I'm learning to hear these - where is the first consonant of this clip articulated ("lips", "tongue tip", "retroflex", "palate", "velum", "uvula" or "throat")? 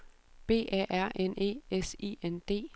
lips